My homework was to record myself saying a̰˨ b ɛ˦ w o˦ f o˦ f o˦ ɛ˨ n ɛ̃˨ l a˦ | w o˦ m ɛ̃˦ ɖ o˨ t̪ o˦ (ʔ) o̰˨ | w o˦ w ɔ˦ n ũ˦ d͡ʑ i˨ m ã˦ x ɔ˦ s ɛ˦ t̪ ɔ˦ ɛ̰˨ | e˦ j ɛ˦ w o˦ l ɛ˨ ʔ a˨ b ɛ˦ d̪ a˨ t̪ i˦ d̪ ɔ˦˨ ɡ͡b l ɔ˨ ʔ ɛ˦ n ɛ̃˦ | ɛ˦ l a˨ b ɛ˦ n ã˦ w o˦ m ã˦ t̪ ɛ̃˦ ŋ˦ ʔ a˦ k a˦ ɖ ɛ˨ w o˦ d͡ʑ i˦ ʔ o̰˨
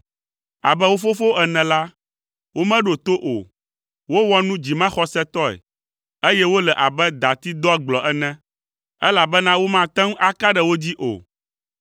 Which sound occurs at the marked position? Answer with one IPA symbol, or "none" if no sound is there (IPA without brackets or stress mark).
ʔ